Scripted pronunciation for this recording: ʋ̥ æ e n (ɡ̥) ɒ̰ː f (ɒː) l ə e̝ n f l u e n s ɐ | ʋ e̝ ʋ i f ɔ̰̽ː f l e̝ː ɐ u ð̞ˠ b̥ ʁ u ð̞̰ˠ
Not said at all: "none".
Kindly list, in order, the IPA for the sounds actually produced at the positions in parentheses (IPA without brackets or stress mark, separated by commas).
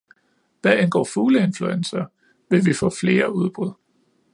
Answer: ɡ̥, uː